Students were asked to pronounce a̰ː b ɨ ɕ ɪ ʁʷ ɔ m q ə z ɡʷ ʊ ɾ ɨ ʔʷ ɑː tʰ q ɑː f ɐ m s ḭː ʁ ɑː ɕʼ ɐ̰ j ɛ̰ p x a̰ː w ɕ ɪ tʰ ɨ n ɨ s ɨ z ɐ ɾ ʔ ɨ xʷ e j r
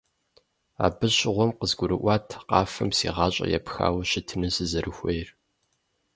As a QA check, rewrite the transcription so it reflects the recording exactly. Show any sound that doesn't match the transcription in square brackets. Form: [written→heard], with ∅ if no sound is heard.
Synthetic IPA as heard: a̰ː b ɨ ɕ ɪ ʁʷ ɔ m q ə z ɡʷ ʊ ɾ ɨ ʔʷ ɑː tʰ q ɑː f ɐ m s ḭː ʁ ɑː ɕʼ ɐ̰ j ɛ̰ p x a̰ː w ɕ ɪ tʰ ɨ n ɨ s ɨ z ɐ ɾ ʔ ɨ xʷ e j r